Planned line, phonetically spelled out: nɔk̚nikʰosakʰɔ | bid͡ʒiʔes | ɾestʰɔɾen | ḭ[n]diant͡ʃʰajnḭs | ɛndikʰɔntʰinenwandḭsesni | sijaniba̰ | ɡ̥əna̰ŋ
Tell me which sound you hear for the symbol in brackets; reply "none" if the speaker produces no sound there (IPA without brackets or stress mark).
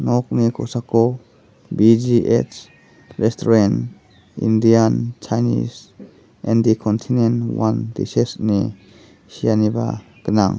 n